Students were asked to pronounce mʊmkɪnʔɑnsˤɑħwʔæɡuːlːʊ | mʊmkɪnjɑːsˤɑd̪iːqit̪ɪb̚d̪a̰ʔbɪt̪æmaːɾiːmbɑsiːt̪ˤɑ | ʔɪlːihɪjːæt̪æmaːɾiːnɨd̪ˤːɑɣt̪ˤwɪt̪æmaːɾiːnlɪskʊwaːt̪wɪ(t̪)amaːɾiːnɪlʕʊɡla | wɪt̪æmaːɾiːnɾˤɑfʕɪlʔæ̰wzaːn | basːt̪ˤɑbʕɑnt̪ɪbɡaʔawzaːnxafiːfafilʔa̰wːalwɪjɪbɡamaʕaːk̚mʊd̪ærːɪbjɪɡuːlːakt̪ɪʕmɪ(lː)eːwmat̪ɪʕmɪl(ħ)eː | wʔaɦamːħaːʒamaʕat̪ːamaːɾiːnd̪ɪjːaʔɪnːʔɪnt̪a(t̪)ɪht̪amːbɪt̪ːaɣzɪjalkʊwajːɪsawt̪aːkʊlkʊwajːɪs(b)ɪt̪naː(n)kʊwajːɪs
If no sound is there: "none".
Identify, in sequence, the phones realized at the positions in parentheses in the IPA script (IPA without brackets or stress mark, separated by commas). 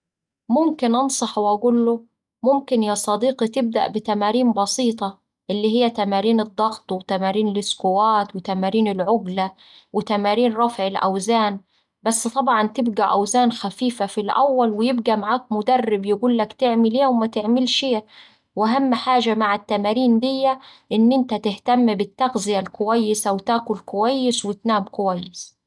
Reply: t̪, l, ʃ, t̪, w, m